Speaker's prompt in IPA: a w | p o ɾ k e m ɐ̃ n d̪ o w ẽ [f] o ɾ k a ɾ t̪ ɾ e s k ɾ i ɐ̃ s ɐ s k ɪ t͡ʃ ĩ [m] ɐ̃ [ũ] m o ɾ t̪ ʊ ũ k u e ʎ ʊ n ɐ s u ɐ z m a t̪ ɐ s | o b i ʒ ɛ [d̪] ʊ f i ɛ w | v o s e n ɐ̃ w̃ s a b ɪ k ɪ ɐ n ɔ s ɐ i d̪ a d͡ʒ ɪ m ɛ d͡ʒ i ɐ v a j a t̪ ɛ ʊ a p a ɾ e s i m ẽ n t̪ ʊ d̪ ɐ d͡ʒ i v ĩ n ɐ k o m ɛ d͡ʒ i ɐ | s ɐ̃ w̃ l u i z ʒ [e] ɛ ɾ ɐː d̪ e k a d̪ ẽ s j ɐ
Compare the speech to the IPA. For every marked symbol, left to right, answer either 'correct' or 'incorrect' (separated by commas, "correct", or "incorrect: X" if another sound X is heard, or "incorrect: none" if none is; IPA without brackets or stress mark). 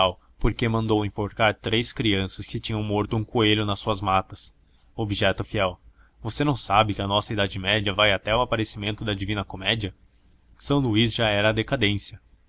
correct, incorrect: ɲ, incorrect: w̃, incorrect: t̪, incorrect: a